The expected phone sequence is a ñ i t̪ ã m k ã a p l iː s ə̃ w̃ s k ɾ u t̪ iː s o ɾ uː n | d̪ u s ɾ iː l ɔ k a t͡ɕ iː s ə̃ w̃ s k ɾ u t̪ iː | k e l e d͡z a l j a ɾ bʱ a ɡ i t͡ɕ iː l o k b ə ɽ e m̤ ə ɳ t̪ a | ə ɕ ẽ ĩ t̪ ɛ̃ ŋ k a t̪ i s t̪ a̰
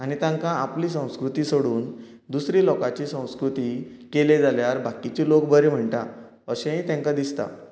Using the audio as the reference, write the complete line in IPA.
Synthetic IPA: a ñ i t̪ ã ŋ k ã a p l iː s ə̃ w̃ s k ɾ u t̪ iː s o ɽ uː n | d̪ u s ɾ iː l ɔ k a t͡ɕ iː s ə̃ w̃ s k ɾ u t̪ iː | k e l e d͡z a l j a ɾ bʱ a k i t͡ɕ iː l o k b ə ɾ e m̤ ə ɳ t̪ a | ə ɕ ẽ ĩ t̪ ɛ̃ ŋ k a d̪ i s t̪ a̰